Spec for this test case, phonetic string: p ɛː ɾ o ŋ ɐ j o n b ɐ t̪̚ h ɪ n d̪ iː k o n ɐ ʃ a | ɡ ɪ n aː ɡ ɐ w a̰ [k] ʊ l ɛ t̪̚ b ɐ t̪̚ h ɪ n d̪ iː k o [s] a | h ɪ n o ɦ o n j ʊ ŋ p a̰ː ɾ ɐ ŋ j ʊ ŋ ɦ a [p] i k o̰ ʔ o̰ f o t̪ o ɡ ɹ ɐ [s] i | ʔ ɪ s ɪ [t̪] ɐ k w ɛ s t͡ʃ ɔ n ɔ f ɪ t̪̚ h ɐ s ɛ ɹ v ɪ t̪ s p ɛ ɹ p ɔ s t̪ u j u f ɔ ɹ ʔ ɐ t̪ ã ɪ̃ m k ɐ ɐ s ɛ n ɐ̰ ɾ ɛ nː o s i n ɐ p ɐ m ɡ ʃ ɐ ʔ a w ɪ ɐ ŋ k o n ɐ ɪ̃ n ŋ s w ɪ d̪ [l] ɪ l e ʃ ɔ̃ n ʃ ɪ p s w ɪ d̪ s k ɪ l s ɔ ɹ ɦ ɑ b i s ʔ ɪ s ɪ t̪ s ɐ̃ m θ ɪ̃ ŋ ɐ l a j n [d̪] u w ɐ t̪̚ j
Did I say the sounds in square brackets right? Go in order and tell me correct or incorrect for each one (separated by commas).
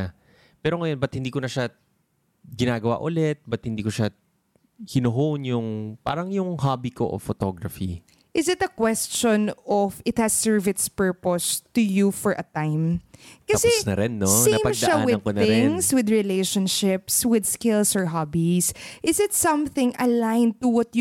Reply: incorrect, incorrect, incorrect, incorrect, correct, incorrect, incorrect